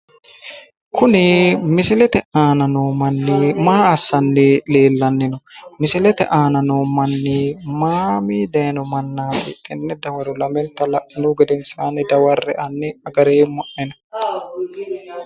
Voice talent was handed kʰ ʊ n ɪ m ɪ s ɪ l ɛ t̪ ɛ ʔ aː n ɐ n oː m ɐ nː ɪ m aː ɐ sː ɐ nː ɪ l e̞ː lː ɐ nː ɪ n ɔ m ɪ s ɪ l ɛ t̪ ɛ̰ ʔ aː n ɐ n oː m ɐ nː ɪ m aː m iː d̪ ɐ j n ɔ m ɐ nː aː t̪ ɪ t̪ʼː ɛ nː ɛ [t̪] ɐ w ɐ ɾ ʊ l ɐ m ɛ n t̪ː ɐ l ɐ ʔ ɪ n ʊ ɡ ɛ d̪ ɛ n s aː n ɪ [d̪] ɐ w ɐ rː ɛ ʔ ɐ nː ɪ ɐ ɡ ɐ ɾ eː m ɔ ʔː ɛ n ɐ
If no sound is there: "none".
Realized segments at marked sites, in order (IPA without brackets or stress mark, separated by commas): d̪, d̪